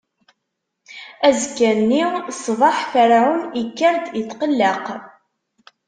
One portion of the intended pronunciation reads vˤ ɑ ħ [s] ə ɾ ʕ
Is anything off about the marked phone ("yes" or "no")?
yes